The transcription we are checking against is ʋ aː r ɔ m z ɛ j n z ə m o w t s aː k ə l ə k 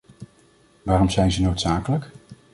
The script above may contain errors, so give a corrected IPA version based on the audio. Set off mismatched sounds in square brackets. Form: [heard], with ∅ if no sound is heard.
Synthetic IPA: ʋ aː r ɔ m z ɛ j n z ə [n] o w t s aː k ə l ə k